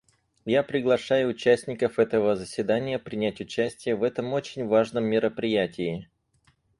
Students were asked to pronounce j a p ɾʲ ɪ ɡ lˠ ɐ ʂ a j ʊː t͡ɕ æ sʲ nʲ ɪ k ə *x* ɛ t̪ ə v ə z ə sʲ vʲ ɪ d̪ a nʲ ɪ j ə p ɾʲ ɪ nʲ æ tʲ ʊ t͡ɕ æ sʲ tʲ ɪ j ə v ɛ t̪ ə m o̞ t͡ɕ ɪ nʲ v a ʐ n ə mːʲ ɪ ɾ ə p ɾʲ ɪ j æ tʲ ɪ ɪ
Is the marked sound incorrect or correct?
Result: incorrect